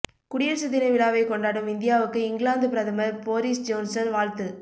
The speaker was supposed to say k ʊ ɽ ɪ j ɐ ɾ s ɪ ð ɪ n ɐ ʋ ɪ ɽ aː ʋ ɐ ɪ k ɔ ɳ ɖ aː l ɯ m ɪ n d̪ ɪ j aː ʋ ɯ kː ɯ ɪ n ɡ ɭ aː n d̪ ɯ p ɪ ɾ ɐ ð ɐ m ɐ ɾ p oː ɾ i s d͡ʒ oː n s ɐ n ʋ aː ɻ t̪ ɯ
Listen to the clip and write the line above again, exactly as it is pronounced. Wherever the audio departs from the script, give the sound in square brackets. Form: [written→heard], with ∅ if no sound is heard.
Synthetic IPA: k ʊ ɽ ɪ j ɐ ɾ s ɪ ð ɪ n ɐ ʋ ɪ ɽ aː ʋ ɐ ɪ k ɔ ɳ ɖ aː [l→ɽ] ɯ m ɪ n d̪ ɪ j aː ʋ ɯ kː ɯ ɪ [n→ŋ] ɡ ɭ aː n d̪ ɯ p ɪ ɾ ɐ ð ɐ m ɐ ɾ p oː ɾ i s d͡ʒ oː n s ɐ n ʋ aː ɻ t̪ ɯ